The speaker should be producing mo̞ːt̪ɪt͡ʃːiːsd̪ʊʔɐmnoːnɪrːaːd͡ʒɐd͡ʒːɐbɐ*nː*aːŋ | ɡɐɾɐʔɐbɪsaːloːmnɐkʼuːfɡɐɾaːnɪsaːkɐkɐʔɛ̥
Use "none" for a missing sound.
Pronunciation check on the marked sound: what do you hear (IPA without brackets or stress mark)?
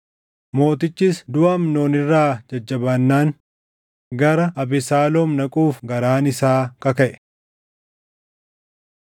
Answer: nː